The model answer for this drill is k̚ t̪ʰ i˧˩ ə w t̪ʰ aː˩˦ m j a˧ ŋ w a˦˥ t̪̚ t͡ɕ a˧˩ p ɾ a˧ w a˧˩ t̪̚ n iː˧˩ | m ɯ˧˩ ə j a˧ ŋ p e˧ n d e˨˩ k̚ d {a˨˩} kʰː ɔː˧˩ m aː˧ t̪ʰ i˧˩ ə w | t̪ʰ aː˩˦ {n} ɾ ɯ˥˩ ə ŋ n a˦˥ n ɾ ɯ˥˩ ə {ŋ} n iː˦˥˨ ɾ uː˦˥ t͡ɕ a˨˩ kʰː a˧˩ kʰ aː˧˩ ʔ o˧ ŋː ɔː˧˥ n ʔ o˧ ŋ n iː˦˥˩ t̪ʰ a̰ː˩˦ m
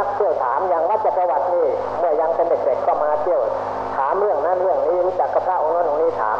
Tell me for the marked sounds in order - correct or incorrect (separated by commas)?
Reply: incorrect, incorrect, correct